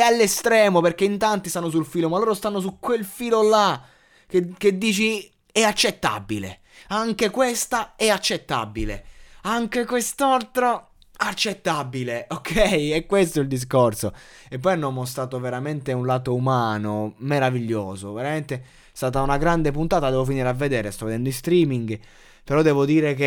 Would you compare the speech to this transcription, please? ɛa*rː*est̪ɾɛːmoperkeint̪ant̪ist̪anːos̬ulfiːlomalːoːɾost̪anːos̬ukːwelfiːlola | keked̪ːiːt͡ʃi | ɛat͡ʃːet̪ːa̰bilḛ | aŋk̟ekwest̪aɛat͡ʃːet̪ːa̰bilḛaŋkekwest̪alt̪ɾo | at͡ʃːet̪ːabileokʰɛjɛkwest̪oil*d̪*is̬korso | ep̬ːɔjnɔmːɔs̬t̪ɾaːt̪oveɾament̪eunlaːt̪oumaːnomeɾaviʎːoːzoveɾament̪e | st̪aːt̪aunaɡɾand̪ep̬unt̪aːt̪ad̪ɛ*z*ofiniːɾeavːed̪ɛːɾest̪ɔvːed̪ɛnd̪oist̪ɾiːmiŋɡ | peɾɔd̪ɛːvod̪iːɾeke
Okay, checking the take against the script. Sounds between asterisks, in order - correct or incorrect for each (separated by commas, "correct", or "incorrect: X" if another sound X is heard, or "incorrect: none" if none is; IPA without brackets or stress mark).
incorrect: lː, correct, incorrect: v